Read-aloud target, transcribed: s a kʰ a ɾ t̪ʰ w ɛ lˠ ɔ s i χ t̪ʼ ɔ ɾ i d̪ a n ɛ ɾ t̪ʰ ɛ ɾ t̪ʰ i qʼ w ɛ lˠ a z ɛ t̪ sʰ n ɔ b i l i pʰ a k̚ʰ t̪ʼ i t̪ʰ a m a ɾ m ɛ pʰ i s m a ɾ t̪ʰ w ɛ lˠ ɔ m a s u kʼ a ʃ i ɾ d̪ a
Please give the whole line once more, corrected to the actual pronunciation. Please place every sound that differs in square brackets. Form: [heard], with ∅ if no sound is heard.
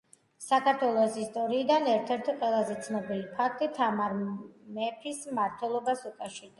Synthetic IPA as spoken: s a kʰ a ɾ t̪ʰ w ɛ lˠ ɔ s i [s] t̪ʼ ɔ ɾ [iː] d̪ a n ɛ ɾ t̪ʰ ɛ ɾ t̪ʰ i qʼ w ɛ lˠ a z ɛ t̪ sʰ n ɔ b i l i pʰ a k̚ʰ t̪ʼ i t̪ʰ a m a ɾ m ɛ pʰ i s m a ɾ t̪ʰ w ɛ lˠ ɔ [b] a s u kʼ a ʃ i ɾ d̪ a